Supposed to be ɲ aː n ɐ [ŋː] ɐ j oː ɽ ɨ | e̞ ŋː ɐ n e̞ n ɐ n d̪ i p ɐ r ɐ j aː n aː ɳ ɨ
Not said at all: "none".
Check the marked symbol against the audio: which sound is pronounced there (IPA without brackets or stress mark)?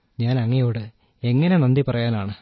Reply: ŋː